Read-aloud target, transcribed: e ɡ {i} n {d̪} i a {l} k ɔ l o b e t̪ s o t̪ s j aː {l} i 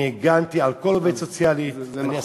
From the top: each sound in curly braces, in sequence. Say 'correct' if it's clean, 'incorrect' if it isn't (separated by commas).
incorrect, incorrect, correct, correct